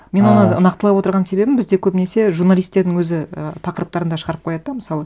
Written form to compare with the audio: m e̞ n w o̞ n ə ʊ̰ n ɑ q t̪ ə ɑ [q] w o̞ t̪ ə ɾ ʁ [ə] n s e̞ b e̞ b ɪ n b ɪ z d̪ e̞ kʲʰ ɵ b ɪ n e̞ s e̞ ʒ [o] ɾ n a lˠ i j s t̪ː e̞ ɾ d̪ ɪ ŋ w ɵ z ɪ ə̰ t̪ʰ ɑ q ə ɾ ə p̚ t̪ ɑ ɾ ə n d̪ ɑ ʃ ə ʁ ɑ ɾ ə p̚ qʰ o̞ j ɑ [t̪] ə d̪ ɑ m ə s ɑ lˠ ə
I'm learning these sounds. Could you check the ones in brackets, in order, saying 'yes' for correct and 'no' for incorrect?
no, no, no, no

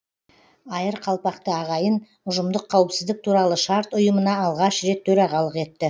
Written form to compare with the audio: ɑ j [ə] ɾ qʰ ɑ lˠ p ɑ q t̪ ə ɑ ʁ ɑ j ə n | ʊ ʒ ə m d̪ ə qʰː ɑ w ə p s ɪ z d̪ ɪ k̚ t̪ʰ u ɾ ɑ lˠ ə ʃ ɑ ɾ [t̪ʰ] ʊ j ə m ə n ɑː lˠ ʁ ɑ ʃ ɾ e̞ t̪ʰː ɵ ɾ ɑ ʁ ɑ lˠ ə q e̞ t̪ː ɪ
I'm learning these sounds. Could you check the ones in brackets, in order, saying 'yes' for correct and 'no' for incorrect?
yes, no

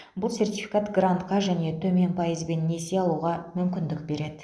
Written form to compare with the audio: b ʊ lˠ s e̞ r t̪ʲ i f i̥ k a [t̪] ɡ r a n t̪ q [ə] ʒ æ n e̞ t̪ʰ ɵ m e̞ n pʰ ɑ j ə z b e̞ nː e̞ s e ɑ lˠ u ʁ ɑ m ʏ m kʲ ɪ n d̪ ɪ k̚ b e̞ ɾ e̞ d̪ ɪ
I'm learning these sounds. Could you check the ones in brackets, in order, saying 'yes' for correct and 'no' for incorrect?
yes, no

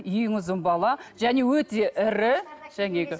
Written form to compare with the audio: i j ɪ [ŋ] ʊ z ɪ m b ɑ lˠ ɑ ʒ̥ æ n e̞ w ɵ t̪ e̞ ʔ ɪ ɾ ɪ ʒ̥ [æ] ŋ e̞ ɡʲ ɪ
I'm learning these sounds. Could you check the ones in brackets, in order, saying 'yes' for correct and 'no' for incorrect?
yes, yes

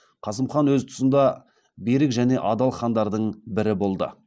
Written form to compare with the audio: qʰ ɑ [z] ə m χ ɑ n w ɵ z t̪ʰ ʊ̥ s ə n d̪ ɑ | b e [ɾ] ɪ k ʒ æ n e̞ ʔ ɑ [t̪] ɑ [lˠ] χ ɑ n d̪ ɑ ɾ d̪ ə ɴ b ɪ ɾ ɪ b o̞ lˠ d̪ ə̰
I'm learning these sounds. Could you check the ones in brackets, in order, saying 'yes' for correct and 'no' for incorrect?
no, yes, no, yes

